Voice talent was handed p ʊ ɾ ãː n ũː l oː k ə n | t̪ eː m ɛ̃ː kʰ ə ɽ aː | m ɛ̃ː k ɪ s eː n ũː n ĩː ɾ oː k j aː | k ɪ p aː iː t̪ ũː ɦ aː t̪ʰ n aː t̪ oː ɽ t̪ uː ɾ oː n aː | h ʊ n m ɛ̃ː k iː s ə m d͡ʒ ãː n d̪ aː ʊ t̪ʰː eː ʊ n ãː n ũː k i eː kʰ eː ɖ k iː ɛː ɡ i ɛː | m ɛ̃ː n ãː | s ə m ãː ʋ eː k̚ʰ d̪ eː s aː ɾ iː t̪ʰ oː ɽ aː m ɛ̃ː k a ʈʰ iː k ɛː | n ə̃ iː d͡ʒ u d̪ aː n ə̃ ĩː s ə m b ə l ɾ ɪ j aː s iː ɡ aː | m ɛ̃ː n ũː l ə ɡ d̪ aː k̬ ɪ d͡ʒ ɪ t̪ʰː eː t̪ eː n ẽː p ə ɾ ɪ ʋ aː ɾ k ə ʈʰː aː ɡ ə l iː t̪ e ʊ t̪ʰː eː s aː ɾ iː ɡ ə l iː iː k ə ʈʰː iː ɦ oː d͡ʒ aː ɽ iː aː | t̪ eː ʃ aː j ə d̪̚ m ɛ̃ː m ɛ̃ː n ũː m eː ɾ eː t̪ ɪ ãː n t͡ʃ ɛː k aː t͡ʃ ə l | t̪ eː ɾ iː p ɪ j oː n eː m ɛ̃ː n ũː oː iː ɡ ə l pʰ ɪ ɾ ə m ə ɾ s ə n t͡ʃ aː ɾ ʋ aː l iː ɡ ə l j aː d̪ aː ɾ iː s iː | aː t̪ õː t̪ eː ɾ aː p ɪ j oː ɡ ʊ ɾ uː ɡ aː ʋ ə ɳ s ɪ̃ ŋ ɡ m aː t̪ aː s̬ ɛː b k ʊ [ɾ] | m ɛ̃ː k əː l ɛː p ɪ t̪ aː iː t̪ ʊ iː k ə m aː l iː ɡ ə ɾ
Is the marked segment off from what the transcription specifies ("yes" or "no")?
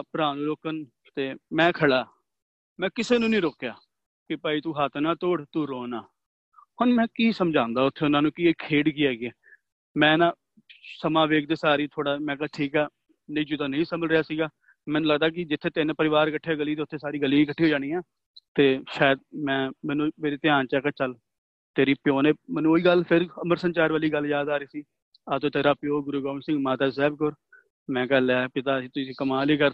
no